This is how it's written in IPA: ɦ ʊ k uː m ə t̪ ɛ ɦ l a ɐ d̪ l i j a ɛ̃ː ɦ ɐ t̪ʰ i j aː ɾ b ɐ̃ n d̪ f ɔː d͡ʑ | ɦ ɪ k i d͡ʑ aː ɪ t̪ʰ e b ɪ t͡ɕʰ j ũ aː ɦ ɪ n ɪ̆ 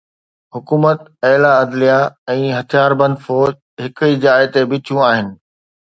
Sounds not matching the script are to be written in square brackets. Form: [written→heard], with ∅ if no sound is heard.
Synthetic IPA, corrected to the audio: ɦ ʊ k uː m ə t̪ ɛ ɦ l a ɐ d̪ l i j a ɛ̃ː ɦ ɐ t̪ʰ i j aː ɾ b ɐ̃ n d̪ f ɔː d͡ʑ | ɦ ɪ k i d͡ʑ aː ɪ [t̪ʰ→t̪] e b ɪ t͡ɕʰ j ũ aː ɦ ɪ n ɪ̆